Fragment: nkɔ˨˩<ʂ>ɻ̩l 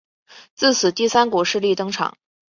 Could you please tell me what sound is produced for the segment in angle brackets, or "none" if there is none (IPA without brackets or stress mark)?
ʂ